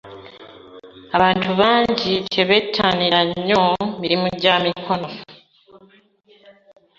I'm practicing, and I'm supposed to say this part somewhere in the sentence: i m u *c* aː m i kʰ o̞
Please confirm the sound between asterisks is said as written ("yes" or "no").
no